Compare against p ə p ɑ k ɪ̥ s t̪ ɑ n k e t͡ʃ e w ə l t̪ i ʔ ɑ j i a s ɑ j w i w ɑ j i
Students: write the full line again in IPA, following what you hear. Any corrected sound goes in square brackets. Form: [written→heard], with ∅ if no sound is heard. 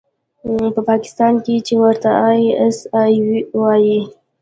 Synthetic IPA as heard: p ə p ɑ k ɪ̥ s t̪ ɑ n k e t͡ʃ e w ə [l→ɾ] t̪ [i→a] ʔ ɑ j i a s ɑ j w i w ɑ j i

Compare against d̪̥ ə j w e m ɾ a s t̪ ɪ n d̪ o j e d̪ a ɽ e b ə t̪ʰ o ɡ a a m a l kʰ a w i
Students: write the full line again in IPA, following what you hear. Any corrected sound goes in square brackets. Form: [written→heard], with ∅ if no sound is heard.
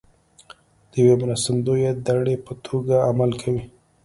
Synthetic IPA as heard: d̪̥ ə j w e m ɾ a s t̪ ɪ n d̪ o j e d̪ a ɽ e [b→p] ə t̪ʰ o ɡ a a m a l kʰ a w i

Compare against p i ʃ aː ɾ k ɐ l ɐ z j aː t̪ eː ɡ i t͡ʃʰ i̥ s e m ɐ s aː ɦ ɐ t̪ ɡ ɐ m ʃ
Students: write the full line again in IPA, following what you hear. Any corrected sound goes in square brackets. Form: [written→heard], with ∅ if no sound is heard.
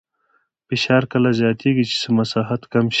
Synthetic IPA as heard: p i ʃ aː ɾ k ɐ l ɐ z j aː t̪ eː ɡ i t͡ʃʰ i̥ s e m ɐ s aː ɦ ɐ t̪ [ɡ→k] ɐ m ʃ

